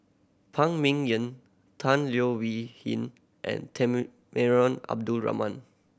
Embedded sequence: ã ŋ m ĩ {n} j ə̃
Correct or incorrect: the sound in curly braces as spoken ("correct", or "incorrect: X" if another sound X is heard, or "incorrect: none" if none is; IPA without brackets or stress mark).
incorrect: ŋ